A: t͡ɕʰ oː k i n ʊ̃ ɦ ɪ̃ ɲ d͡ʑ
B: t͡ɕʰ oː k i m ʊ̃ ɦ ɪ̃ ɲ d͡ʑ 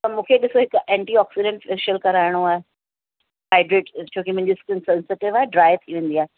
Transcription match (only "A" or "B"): B